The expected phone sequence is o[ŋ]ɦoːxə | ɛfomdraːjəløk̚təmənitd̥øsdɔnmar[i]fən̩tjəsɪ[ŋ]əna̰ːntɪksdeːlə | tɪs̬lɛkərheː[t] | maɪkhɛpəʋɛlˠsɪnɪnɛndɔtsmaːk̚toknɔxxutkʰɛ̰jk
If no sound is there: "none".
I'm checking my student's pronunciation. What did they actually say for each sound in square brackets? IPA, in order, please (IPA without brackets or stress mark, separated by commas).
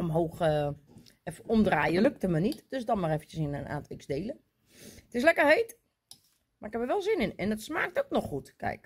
m, ɛ, n, t